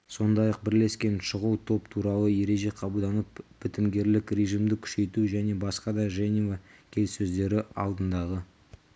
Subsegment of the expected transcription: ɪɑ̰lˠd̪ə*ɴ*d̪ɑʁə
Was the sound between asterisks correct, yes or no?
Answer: no